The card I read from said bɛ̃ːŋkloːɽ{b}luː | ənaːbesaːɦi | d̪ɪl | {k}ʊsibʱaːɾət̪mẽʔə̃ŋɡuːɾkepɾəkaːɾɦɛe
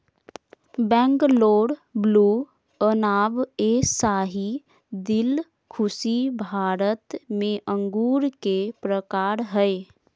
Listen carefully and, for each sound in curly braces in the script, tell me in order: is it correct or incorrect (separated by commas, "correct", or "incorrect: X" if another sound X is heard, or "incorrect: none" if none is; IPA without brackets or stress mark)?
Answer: correct, incorrect: kʰ